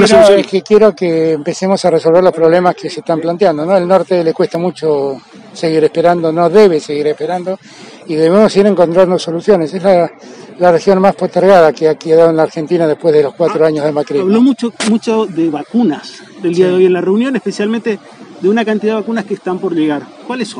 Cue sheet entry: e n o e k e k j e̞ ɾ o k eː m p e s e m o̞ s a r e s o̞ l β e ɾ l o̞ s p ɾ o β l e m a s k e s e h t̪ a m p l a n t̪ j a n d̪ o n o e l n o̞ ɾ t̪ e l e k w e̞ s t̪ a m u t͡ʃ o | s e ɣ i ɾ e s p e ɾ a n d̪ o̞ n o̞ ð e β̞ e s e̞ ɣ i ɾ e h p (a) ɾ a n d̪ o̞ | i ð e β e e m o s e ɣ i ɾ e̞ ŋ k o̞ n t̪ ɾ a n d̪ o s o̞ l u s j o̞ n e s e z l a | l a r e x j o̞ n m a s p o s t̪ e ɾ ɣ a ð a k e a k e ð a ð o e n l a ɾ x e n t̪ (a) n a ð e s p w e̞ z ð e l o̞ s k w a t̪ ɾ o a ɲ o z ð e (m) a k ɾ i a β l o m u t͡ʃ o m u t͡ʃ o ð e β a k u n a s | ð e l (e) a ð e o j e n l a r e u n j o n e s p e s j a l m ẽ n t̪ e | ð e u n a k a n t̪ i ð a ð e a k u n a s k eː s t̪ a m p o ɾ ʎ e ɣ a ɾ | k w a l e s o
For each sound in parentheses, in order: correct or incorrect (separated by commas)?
incorrect, incorrect, correct, incorrect